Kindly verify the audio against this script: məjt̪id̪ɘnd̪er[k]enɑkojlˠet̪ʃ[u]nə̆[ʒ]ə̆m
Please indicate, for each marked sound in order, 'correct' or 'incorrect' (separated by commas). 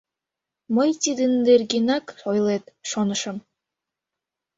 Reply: incorrect, incorrect, incorrect